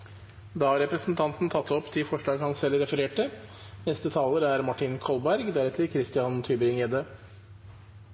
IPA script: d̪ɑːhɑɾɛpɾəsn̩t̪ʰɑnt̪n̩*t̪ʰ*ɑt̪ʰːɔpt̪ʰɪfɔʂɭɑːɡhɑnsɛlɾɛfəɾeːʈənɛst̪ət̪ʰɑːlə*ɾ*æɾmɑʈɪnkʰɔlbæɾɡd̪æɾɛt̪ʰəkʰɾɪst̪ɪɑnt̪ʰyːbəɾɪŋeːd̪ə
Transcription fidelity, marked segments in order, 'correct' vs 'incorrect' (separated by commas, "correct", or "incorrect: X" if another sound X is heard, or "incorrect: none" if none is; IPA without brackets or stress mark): correct, correct